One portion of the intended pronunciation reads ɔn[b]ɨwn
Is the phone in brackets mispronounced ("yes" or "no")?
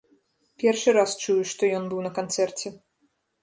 no